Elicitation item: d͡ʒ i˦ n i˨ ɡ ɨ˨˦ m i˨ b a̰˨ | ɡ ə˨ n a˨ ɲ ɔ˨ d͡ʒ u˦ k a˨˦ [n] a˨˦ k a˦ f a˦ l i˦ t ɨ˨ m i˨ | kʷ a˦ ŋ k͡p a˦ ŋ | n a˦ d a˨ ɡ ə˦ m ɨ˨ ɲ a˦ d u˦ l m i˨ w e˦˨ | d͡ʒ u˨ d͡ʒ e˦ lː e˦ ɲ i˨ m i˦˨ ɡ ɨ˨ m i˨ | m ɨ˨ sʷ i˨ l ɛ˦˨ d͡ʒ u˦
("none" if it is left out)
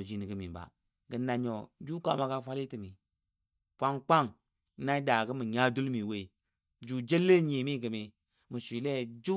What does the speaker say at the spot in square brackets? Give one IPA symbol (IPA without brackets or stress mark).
m